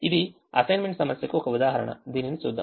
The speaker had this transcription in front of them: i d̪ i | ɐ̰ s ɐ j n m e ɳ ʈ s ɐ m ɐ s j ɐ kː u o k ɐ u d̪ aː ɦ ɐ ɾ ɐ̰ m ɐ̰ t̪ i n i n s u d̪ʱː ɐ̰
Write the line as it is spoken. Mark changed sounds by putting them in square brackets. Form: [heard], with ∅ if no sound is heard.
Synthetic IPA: i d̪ i | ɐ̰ s ɐ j n m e ɳ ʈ s ɐ m ɐ s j ɐ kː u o k ɐ u d̪ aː ɦ ɐ ɾ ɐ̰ [ɳ] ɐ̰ [d̪] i n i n s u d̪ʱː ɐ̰

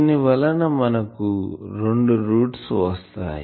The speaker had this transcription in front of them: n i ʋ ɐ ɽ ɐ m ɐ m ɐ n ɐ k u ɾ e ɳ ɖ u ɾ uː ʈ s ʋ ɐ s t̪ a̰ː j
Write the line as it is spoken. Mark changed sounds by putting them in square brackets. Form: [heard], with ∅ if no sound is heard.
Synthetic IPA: n i ʋ ɐ [l] ɐ [n] ɐ m ɐ n ɐ k u ɾ e ɳ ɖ u ɾ uː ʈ s ʋ ɐ s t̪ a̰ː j

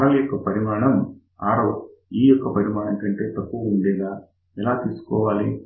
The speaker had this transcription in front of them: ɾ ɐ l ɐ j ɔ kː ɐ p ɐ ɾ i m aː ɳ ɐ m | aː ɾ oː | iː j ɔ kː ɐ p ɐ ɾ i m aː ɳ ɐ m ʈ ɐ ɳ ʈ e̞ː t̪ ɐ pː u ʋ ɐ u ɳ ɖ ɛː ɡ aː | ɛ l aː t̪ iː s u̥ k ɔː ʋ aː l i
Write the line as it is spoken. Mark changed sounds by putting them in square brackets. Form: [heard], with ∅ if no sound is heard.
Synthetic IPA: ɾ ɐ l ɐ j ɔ kː ɐ p ɐ ɾ i m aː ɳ ɐ m | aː ɾ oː | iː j ɔ kː ɐ p ɐ ɾ i m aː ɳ ɐ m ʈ ɐ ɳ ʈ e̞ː t̪ ɐ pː u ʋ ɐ u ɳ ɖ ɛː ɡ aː | ɛ l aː t̪ iː s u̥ k ɔː ʋ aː l i

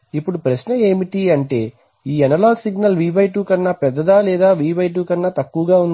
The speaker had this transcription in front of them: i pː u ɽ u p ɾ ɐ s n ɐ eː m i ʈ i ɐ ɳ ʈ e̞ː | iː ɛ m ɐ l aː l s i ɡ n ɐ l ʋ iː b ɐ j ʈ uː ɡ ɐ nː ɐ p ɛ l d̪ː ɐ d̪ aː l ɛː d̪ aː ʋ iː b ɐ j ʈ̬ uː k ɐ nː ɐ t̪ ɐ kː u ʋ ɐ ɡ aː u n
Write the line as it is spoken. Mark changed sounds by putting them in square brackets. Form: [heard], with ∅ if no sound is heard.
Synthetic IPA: i pː u ɽ u p ɾ ɐ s n ɐ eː m i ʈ i ɐ ɳ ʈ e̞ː | iː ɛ [n] ɐ l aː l s i ɡ n ɐ l ʋ iː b ɐ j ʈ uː [k] ɐ nː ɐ p ɛ [∅] d̪ː ɐ d̪ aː l ɛː d̪ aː ʋ iː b ɐ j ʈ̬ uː k ɐ nː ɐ t̪ ɐ kː u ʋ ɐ ɡ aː u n

